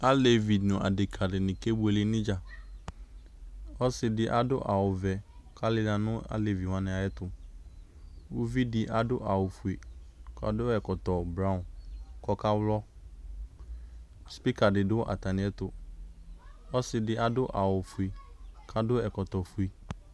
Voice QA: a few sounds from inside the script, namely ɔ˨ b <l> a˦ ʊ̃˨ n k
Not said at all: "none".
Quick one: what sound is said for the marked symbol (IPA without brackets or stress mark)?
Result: ɾ